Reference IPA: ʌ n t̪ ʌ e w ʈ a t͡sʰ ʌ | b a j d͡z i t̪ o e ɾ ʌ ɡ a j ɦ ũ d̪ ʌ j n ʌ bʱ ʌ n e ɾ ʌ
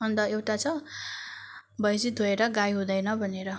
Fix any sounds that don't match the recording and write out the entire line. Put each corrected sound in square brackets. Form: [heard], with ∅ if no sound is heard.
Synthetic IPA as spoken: ʌ n [d̪] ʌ e w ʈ a t͡sʰ ʌ | b [ʌ] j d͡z i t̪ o e ɾ ʌ ɡ a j ɦ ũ d̪ ʌ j n ʌ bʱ ʌ n e ɾ ʌ